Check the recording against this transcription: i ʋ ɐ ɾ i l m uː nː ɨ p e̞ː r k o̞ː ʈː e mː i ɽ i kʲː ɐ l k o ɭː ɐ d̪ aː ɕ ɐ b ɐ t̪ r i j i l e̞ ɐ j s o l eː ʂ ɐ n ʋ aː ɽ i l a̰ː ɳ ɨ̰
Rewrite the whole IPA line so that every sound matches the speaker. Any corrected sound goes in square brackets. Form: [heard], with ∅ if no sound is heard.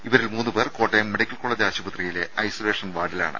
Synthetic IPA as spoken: i ʋ ɐ ɾ i l m uː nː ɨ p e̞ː r k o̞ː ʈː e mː [e] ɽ i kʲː ɐ l k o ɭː ɐ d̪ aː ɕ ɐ b ɐ t̪ r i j i l e̞ ɐ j s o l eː ʂ ɐ n ʋ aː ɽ i l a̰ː ɳ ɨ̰